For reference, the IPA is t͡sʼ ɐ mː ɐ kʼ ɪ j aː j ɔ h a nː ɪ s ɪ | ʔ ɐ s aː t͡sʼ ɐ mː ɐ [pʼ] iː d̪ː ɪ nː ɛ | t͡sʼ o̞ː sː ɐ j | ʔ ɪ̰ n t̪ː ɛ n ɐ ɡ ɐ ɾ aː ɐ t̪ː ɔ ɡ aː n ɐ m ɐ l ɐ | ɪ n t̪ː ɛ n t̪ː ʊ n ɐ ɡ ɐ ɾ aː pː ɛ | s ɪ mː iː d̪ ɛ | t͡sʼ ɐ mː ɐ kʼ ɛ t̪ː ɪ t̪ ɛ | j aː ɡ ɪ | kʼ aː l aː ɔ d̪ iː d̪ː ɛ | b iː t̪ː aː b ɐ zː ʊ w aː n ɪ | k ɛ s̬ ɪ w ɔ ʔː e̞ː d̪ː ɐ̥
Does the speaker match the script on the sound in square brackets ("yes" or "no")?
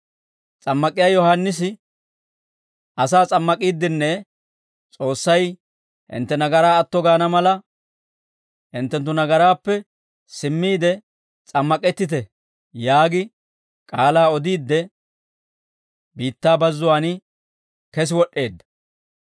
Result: no